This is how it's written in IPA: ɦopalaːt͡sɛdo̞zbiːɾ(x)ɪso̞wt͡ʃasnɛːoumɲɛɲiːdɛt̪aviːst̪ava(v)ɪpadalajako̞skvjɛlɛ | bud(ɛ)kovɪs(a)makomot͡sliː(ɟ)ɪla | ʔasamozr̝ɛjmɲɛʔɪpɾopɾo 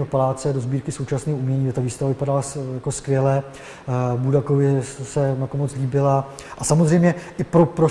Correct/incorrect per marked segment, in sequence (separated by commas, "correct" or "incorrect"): incorrect, correct, incorrect, incorrect, incorrect